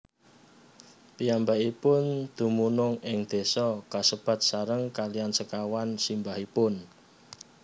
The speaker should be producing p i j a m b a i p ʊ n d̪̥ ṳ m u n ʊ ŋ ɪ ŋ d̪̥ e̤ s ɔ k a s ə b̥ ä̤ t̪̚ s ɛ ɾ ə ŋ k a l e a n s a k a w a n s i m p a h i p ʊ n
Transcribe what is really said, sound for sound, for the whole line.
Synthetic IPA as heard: p i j a m b a i p ʊ n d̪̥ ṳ m u n ʊ ŋ ɪ ŋ d̪̥ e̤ s ɔ k a s ə b̥ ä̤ t̪̚ s a ɾ ə ŋ k a l i a n s ə k a w a n s i m b a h i p ʊ n